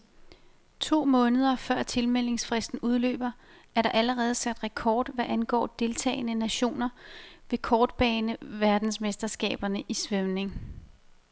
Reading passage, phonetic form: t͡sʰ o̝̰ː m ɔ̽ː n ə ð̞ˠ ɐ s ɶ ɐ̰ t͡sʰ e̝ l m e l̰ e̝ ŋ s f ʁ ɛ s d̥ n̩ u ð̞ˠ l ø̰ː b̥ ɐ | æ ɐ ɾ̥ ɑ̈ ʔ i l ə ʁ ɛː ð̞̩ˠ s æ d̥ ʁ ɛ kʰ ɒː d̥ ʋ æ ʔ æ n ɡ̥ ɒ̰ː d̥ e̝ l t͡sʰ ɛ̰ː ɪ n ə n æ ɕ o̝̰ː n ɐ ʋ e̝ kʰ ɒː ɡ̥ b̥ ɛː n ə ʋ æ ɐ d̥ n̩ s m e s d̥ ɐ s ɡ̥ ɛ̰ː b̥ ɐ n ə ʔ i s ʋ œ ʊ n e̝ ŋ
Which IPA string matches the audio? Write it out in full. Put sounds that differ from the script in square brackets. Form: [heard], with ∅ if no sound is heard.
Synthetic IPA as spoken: t͡sʰ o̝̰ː m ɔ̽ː n ə ð̞ˠ ɐ [f] ɶ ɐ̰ t͡sʰ e̝ l m e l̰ e̝ ŋ s f ʁ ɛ s d̥ n̩ u ð̞ˠ l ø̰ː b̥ ɐ | æ ɐ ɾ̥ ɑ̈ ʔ [æ] l ə ʁ ɛː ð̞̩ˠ s æ d̥ ʁ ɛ kʰ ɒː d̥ ʋ æ ʔ æ n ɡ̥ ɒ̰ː d̥ e̝ l t͡sʰ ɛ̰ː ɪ n ə n æ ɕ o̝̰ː n ɐ ʋ e̝ kʰ ɒː [d̥] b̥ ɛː n ə ʋ æ ɐ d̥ n̩ s m e s d̥ ɐ s ɡ̥ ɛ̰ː b̥ ɐ n ə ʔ i s ʋ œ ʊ n e̝ ŋ